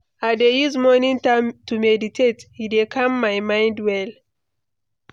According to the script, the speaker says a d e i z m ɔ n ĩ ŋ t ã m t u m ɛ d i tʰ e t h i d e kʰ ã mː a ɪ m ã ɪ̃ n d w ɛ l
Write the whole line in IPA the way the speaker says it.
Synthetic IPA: a d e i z m ɔ n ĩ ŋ t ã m t u m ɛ d i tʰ e t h i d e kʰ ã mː a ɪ m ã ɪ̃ n d w ɛ l